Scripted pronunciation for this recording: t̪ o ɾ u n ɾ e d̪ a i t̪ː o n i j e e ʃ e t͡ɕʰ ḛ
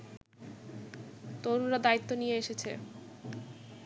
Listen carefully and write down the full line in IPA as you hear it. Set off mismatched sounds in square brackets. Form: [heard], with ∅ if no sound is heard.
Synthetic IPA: t̪ o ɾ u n ɾ [a] d̪ a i t̪ː o n i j e e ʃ e t͡ɕʰ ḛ